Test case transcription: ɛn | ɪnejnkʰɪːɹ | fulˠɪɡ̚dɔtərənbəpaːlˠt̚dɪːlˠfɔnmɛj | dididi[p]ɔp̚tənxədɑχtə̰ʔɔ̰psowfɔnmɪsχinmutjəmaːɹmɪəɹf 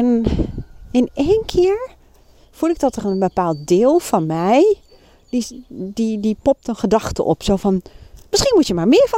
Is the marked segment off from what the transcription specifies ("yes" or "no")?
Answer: no